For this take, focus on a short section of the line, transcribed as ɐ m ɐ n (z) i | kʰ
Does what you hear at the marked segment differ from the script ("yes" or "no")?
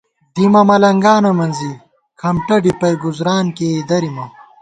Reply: no